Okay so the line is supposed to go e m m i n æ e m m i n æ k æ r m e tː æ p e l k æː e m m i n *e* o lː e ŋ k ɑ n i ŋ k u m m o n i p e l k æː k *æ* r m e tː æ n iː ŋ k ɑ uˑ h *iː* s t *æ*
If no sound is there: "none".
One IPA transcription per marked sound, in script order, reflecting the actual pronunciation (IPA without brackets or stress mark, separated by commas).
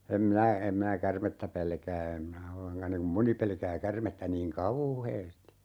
æ, æ, eː, i